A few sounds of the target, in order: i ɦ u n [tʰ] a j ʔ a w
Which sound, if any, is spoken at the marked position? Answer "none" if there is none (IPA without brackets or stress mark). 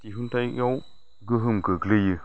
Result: t